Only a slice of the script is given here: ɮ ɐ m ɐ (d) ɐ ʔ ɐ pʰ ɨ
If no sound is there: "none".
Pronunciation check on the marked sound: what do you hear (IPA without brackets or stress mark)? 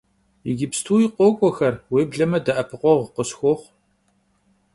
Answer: d